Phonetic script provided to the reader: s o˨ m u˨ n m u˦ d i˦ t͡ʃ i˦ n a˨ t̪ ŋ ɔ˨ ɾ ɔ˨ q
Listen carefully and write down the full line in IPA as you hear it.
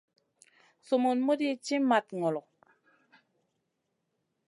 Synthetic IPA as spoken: s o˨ m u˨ n m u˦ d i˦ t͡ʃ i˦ m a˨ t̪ ŋ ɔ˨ l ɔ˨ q